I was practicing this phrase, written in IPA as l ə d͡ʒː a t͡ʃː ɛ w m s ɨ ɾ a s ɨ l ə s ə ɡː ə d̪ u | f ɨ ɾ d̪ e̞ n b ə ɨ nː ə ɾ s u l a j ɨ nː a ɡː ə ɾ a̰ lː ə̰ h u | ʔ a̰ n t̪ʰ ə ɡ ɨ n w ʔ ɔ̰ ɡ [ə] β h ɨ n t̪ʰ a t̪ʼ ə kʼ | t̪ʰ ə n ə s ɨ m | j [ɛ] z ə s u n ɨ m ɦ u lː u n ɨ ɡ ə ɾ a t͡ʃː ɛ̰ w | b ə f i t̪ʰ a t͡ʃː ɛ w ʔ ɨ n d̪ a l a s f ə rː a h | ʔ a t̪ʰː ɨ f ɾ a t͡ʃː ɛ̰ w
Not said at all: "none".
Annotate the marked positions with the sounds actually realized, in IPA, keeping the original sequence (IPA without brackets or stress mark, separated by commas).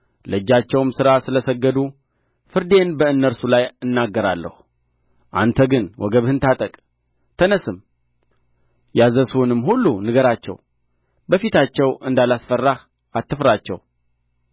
ə, a